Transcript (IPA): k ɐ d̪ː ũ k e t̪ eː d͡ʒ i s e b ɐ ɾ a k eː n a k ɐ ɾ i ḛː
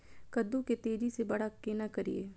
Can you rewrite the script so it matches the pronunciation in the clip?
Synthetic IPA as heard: k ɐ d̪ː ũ k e t̪ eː d͡ʒ i s e b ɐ ɽ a k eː n a k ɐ ɾ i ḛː